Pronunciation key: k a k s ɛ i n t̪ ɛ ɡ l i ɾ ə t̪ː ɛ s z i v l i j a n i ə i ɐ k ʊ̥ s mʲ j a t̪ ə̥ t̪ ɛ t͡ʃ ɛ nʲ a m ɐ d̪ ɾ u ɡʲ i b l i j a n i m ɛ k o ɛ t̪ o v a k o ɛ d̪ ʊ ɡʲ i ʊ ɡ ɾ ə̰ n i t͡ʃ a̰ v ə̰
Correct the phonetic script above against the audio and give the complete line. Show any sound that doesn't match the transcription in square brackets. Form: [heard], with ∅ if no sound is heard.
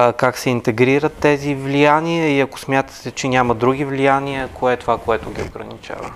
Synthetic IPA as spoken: k a k s ɛ i n t̪ ɛ ɡ [ɾ] i ɾ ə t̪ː ɛ [∅] z i v l i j a n i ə i ɐ k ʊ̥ s mʲ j a t̪ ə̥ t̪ ɛ t͡ʃ ɛ nʲ a m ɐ d̪ ɾ u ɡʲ i [v] l i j a n i [∅] ɛ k o ɛ t̪ o v a k o ɛ [t̪] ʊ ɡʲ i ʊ ɡ ɾ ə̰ n i t͡ʃ a̰ v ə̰